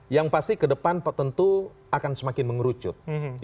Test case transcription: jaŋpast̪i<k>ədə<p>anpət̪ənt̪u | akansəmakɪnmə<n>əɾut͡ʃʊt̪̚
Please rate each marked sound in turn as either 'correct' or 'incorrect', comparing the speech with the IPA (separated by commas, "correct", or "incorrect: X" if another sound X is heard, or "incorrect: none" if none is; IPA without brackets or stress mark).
correct, correct, incorrect: ŋ